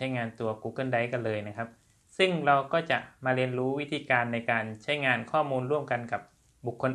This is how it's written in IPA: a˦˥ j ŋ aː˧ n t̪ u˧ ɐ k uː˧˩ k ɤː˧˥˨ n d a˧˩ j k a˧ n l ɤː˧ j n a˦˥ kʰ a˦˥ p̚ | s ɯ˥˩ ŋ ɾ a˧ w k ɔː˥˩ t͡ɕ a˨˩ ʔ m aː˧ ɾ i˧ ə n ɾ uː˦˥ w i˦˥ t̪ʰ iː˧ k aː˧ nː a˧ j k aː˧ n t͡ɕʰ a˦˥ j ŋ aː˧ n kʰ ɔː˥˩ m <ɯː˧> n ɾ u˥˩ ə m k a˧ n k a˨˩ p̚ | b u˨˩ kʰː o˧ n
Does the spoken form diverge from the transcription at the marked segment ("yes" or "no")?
yes